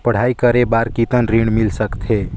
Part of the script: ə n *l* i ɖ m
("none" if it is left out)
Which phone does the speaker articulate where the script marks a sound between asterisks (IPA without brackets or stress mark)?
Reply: ɾ